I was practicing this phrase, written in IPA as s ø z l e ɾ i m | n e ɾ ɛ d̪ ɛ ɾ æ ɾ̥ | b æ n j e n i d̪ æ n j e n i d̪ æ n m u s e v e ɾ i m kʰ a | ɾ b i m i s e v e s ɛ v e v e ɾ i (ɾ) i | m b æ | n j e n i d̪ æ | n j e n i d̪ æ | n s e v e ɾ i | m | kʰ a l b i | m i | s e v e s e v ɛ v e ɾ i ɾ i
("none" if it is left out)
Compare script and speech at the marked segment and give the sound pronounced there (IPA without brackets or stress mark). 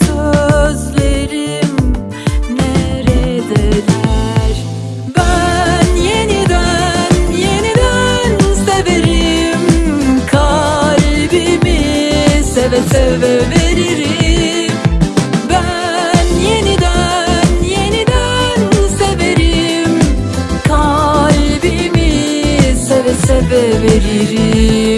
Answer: ɾ